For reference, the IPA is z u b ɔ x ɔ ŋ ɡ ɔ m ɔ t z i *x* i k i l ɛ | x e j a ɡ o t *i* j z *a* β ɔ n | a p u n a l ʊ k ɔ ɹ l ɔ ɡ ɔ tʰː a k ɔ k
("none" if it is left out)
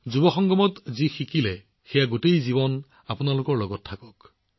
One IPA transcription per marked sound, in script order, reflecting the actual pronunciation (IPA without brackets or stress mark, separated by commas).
x, e, i